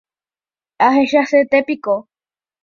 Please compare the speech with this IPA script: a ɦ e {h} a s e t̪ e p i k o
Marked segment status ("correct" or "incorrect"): incorrect